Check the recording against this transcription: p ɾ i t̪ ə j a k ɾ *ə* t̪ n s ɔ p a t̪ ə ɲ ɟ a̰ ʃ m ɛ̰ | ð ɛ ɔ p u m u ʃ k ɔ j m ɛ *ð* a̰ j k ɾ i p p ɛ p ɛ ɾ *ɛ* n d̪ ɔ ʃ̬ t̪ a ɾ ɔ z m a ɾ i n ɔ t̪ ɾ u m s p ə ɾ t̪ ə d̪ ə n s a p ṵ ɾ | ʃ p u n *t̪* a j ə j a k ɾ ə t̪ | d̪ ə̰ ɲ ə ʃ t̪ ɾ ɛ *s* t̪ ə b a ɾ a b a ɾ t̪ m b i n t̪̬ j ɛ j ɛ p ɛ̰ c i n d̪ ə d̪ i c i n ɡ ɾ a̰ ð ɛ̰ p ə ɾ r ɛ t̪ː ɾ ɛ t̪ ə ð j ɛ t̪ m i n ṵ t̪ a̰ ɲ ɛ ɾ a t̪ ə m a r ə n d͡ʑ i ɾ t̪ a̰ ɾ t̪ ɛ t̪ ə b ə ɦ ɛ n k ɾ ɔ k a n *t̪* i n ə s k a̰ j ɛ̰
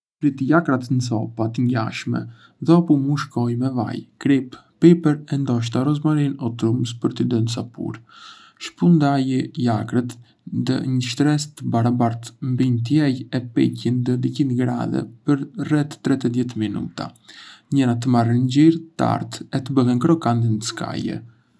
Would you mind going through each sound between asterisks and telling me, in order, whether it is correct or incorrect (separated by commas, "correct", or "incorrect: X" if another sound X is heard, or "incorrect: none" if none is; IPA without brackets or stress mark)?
incorrect: a, incorrect: v, correct, incorrect: d̪, correct, incorrect: d̪